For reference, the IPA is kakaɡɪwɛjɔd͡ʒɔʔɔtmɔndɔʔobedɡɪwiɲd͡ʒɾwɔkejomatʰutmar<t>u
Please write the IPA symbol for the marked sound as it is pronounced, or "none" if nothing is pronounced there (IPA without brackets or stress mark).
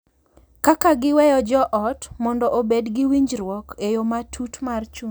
t͡ʃ